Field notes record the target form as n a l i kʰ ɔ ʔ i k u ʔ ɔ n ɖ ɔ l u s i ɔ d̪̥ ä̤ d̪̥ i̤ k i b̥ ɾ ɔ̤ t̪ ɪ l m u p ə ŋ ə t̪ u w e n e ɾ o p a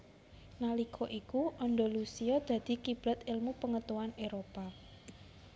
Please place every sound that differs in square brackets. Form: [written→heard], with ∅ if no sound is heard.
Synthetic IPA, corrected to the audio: n a l i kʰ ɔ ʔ i k u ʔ ɔ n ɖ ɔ l u s i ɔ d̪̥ ä̤ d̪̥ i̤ k i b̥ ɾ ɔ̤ t̪ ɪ l m u p ə ŋ ə t̪ u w [e→a] n e ɾ o p a